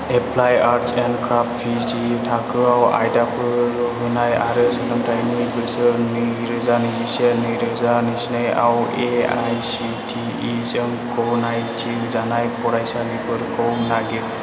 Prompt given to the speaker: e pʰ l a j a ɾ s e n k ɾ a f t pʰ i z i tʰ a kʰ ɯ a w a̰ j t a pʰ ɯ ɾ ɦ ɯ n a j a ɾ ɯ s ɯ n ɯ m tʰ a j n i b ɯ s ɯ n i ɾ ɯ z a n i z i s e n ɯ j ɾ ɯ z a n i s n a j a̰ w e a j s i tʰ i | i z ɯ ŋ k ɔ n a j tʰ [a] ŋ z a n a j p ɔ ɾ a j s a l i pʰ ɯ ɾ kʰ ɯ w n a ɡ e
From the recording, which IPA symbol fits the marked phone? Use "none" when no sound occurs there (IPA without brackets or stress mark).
i